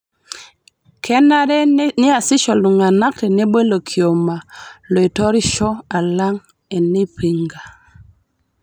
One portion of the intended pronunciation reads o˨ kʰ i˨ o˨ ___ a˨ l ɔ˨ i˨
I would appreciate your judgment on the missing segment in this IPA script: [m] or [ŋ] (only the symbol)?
m